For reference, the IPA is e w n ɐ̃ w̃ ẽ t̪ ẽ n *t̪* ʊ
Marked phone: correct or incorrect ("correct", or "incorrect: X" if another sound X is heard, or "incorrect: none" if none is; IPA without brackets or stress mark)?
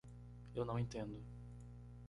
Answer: incorrect: d̪